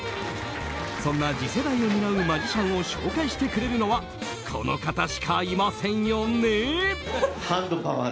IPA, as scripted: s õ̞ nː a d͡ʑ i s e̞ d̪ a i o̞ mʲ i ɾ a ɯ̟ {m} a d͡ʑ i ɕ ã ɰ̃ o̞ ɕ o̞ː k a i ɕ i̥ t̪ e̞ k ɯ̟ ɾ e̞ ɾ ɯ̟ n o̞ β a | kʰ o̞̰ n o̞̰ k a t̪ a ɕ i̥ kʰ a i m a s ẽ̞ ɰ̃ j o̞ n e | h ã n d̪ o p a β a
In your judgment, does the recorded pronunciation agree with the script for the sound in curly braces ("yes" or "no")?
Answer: yes